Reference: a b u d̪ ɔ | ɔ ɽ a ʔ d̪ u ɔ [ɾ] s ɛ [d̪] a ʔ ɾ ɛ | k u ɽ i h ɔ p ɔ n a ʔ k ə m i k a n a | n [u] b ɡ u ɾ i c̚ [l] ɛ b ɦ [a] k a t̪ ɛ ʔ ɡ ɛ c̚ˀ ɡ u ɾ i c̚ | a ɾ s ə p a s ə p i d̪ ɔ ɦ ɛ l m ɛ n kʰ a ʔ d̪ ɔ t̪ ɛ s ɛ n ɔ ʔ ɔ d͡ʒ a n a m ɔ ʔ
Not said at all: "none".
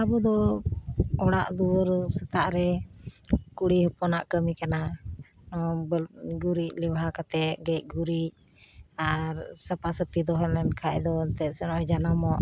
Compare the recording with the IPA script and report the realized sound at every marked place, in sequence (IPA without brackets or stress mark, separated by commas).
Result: ɾ, t̪, ɔ, l, a